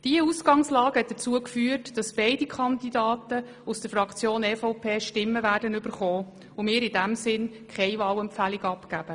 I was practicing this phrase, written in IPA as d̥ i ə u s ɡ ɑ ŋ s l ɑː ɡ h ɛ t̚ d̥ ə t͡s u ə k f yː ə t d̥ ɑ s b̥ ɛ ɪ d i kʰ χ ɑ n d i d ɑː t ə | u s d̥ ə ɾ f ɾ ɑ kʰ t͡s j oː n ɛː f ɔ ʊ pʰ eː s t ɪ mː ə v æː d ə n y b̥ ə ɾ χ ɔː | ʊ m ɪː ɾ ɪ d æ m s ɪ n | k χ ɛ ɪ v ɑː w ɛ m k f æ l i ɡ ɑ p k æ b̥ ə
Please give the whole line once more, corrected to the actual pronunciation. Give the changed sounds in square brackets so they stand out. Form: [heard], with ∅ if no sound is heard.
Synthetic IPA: d̥ i ə u s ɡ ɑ ŋ s l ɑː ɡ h ɛ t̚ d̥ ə t͡s u ə k f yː ə t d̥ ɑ s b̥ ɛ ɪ d i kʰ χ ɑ n d i d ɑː t ə | u s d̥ ə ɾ f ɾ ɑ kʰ t͡s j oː n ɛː f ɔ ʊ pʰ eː [ʃ] t ɪ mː ə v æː d ə n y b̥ ə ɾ χ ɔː | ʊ m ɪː ɾ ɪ d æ m s ɪ n | k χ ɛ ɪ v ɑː w ɛ m [p] f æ l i ɡ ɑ p k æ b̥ ə